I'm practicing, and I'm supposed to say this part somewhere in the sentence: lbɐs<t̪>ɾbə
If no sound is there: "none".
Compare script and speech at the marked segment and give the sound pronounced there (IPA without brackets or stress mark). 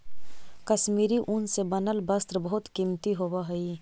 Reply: t̪